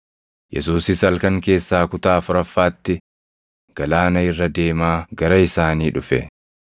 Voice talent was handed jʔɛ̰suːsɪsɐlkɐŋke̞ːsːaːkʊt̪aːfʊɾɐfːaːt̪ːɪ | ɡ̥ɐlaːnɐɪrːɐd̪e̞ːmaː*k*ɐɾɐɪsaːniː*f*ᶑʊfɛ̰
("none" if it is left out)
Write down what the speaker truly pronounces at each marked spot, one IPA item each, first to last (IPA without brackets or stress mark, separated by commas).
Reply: ɡ, none